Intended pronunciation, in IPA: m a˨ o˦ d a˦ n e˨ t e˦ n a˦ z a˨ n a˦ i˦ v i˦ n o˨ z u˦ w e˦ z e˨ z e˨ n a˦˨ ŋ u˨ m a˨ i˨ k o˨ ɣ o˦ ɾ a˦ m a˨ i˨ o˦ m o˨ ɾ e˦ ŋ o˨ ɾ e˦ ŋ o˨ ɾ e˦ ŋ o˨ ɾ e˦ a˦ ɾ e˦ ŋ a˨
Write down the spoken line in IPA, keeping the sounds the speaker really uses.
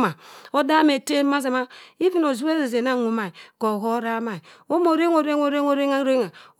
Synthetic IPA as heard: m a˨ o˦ d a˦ m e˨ t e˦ m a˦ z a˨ m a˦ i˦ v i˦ n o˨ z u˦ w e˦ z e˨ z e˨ n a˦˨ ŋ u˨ m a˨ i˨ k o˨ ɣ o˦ ɾ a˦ m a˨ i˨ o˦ m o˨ ɾ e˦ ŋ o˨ ɾ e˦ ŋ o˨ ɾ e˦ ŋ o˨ ɾ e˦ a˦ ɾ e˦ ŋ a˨